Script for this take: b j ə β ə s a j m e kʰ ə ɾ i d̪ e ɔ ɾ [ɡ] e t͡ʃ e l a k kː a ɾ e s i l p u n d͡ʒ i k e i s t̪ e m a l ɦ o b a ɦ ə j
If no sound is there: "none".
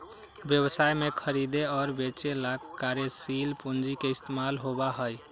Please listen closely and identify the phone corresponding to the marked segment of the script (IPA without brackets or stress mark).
b